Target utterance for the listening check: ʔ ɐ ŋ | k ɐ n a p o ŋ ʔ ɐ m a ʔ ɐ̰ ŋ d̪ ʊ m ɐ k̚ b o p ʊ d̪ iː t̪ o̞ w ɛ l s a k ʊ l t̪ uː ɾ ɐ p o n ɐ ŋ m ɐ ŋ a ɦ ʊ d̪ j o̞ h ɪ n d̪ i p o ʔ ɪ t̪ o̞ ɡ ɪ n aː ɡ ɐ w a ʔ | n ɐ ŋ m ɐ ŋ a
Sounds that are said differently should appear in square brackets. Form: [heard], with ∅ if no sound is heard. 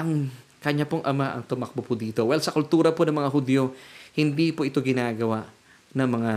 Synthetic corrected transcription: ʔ ɐ ŋ | k ɐ [ɲ] a p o ŋ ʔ ɐ m a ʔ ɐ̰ ŋ [t̪] ʊ m ɐ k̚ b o p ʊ d̪ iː t̪ o̞ w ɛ l s [ɐ] k ʊ l t̪ uː ɾ ɐ p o n ɐ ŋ m ɐ ŋ a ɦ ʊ d̪ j o̞ h ɪ n d̪ i p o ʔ ɪ t̪ o̞ ɡ ɪ n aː ɡ ɐ w a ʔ | n ɐ ŋ m ɐ ŋ a